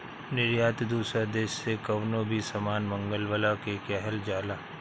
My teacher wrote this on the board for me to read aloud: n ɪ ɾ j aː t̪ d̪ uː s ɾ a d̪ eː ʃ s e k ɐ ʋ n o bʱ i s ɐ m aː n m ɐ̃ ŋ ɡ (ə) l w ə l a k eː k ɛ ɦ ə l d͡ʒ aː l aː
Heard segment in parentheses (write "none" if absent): ə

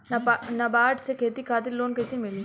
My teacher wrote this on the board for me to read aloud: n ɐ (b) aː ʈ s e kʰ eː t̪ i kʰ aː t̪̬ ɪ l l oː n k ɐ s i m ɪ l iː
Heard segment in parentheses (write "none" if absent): b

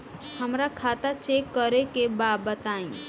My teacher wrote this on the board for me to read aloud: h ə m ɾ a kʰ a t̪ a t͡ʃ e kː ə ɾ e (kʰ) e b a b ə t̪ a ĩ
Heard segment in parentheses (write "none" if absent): k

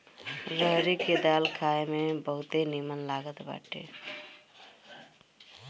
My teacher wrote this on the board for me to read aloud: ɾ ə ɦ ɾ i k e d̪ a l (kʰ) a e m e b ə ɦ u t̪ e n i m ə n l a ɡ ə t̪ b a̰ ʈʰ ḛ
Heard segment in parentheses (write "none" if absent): kʰ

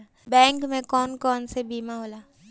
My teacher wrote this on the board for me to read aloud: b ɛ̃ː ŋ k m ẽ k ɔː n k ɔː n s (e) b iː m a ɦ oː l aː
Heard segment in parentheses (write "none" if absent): e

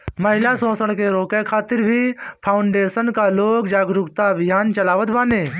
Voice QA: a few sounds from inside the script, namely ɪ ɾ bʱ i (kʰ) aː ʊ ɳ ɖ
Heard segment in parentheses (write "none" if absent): pʰ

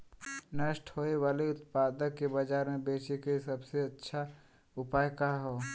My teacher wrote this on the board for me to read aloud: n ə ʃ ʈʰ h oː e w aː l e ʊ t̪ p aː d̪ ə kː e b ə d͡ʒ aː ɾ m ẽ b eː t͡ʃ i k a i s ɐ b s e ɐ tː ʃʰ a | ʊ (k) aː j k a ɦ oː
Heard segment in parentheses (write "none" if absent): p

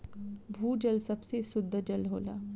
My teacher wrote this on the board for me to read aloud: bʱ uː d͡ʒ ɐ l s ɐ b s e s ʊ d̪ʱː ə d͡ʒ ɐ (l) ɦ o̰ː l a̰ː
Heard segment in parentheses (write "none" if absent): l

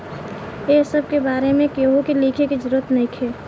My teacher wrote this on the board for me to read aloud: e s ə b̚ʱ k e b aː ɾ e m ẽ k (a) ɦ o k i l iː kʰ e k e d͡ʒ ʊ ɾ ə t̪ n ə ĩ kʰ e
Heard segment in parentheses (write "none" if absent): e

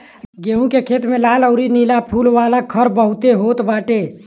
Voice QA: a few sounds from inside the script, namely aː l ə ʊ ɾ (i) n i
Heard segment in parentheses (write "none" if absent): i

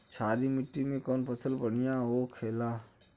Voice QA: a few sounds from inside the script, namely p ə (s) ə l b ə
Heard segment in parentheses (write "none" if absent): s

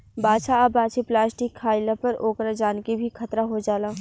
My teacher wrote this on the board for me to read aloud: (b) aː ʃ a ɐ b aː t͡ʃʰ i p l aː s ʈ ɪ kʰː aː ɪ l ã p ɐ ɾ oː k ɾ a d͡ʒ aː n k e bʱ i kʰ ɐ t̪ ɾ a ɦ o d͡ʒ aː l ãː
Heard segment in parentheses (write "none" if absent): b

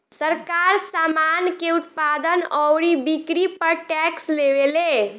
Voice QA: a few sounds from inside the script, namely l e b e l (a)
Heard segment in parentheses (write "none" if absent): e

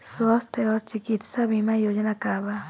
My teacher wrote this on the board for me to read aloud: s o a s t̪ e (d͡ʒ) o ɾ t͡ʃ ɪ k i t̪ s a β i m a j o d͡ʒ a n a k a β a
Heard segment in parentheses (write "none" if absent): none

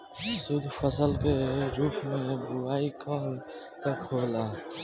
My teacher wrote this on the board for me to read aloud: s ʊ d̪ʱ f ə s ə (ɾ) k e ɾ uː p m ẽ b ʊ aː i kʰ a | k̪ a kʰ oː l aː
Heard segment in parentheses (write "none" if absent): l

